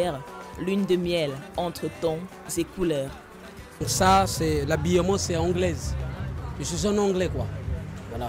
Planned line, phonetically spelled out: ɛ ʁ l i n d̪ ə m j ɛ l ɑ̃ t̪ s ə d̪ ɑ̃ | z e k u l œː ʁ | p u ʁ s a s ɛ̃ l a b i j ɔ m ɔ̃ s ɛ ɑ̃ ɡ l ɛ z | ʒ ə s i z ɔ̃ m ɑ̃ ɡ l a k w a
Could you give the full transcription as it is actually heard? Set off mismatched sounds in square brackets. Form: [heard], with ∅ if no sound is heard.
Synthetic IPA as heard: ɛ ʁ l [y] n d̪ ə m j ɛ l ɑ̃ t̪ [χ] ə [t̪] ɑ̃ | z e k u l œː ʁ | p u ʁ s a s [ɛ] l a b i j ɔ m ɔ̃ s ɛ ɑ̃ ɡ l ɛ z | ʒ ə s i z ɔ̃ [n] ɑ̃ ɡ l [ɛ] k w a

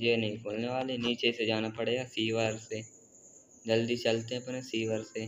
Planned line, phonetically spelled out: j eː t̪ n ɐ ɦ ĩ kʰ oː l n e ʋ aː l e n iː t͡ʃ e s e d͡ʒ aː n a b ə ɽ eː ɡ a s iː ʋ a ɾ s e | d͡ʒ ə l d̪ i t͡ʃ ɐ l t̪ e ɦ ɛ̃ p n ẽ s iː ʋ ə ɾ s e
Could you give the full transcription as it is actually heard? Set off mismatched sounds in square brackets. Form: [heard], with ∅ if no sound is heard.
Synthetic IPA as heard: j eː [∅] n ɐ ɦ ĩ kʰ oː l n e ʋ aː l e n iː t͡ʃ e s e d͡ʒ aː n a [p] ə ɽ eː ɡ a s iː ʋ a ɾ s e | d͡ʒ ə l d̪ i t͡ʃ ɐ l t̪ e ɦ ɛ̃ p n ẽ s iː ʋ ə ɾ s e

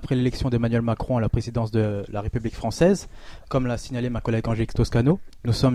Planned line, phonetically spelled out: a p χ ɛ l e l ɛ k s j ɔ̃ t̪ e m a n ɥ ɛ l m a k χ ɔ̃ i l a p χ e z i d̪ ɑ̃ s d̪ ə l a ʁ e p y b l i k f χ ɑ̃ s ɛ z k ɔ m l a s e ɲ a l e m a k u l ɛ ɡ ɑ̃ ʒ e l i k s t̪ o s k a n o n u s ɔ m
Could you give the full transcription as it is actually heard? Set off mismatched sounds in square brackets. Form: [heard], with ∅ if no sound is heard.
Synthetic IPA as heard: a p χ ɛ l e l ɛ k s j ɔ̃ [d̪] e m a n ɥ ɛ l m a k χ ɔ̃ [a] l a p χ e z i d̪ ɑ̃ s d̪ ə l a ʁ e p y b l i k f χ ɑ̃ s ɛ z k ɔ m l a s [i] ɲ a l e m a k [ɔ] l ɛ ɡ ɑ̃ ʒ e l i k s t̪ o s k a n o n u s ɔ m

